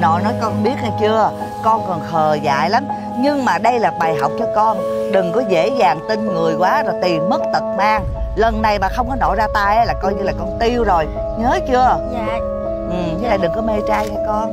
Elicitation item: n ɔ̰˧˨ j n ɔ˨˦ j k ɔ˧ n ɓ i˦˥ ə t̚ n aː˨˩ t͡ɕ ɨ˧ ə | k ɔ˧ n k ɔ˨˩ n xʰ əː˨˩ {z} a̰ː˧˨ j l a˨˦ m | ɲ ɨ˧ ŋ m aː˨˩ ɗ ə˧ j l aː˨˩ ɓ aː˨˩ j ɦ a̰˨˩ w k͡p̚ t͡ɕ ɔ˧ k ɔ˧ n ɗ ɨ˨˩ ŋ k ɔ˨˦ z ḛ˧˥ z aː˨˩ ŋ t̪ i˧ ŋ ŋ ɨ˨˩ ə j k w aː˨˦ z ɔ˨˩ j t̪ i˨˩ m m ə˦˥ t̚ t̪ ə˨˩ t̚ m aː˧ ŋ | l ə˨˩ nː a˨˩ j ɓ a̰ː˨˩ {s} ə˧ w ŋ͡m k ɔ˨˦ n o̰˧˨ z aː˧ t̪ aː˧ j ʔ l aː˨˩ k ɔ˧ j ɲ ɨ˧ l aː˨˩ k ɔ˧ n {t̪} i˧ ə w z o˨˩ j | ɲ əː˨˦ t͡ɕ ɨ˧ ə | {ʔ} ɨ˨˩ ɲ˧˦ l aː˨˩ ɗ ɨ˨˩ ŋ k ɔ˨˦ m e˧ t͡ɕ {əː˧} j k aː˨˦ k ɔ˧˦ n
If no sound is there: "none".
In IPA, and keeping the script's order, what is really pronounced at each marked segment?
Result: z, x, t̪, ʔ, aː˧

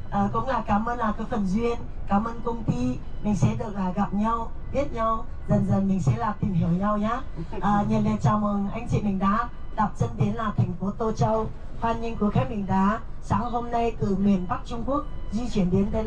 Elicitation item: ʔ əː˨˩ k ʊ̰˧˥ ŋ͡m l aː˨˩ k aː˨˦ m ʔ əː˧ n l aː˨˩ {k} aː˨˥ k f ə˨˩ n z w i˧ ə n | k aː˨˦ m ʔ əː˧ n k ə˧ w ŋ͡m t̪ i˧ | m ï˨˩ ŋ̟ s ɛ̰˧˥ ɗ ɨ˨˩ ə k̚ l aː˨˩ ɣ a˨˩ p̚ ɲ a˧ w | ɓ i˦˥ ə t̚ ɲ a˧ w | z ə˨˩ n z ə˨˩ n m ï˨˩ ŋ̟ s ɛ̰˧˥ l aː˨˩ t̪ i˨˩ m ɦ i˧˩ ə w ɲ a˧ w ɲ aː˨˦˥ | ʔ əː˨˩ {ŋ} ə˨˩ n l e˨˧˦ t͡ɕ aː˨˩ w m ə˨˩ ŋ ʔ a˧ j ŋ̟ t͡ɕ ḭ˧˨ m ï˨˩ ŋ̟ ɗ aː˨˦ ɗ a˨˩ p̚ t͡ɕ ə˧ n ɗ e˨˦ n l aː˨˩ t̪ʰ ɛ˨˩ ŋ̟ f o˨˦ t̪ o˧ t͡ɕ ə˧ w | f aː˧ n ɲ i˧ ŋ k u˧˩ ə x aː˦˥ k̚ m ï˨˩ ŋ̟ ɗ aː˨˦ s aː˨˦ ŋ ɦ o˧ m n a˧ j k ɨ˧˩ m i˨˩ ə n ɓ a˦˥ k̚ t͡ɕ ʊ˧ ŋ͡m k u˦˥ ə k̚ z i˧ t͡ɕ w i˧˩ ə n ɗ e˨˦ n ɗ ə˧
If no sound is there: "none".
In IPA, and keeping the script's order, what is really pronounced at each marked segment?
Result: k, ɲ

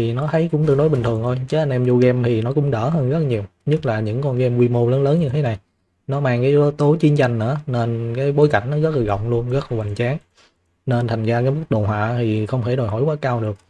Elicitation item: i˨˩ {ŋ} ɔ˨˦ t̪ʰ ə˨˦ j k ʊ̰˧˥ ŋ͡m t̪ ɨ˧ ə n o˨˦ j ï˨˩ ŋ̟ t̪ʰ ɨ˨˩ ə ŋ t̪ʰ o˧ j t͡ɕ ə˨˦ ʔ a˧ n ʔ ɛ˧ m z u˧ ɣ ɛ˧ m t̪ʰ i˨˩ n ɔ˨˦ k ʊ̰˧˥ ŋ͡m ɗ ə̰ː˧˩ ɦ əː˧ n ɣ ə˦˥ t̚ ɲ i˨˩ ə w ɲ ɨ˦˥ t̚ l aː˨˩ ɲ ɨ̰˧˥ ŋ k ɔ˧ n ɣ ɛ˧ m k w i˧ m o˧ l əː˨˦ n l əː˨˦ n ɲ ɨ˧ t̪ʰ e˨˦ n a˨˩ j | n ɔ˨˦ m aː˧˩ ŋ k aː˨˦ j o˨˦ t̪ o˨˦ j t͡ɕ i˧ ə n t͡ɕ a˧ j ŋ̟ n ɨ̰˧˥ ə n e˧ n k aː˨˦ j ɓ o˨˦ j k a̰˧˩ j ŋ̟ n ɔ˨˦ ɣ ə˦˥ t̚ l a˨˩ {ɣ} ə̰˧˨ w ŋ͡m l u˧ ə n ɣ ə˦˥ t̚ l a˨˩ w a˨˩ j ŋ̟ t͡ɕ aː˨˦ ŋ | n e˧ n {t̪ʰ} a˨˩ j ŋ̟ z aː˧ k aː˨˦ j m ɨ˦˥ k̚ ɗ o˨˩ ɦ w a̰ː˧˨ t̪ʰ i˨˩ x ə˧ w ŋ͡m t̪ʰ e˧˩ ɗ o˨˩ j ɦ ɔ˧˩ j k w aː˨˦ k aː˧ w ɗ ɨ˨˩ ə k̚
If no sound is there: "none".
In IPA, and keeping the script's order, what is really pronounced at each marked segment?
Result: n, ɣ, t̪ʰ

